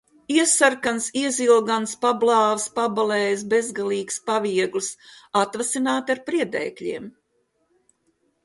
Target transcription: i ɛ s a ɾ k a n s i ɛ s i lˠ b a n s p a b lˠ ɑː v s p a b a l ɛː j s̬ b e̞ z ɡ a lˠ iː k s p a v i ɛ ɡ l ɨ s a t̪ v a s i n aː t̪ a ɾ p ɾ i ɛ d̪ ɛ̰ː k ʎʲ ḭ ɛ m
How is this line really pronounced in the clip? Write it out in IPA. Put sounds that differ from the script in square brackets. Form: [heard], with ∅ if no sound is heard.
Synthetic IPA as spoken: i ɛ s a ɾ k a n s i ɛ [z] i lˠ [ɡ] a n s p a b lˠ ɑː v s p a b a l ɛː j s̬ b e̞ z ɡ a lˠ iː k s p a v i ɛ ɡ l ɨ s a t̪ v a s i n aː t̪ a ɾ p ɾ i ɛ d̪ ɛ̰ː k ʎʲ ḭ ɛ m